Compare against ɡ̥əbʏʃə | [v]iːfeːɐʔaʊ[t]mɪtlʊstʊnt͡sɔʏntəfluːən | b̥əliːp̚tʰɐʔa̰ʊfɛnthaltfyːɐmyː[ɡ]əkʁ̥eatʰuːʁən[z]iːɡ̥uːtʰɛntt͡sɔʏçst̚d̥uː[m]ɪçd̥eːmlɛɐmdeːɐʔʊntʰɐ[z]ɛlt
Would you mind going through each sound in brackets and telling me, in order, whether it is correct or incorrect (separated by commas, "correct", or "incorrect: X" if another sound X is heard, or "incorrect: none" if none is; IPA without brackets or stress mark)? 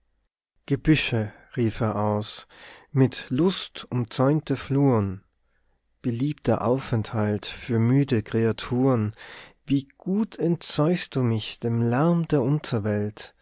incorrect: ʁ, incorrect: s, incorrect: d, incorrect: v, correct, incorrect: v